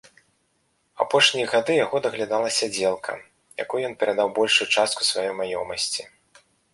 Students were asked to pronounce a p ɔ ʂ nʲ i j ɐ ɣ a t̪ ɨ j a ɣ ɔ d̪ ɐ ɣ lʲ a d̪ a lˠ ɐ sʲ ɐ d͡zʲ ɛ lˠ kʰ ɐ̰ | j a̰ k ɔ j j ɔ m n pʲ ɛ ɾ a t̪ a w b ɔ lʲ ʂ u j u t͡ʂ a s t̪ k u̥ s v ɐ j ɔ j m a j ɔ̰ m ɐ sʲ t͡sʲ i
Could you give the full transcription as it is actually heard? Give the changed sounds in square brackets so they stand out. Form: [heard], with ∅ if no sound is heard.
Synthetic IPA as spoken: a p ɔ ʂ nʲ i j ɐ ɣ a [d̪] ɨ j a ɣ ɔ d̪ ɐ ɣ lʲ a d̪ a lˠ ɐ sʲ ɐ d͡zʲ ɛ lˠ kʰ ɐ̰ | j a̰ k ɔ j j ɔ [∅] n pʲ ɛ ɾ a [d̪] a w b ɔ lʲ ʂ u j u t͡ʂ a s t̪ k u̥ s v [a] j ɔ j m a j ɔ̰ m ɐ sʲ t͡sʲ i